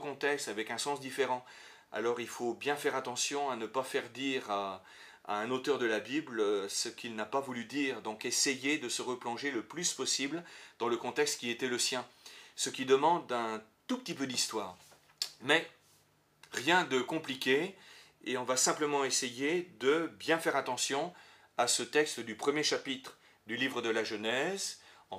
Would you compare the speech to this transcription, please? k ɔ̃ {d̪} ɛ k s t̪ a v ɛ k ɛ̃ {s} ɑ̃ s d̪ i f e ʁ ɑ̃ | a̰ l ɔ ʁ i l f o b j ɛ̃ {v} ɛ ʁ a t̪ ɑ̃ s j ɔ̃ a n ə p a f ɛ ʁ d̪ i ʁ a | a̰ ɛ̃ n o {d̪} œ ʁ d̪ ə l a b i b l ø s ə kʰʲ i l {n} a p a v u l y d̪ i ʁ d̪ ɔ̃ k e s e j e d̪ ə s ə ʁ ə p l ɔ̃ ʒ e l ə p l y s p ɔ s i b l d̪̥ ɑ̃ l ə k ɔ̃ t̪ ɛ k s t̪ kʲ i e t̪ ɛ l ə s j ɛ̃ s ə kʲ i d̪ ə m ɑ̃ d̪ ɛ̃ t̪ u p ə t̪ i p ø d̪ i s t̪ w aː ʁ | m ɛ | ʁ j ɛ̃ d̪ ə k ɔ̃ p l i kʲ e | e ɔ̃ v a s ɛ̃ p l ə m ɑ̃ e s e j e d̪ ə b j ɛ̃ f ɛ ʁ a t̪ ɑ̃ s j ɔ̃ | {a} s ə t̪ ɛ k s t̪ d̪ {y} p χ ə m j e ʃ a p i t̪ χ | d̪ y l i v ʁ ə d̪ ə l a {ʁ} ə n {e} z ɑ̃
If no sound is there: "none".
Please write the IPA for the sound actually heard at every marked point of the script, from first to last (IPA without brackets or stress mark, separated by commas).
t̪, s, f, t̪, n, a, y, ʒ, ɛ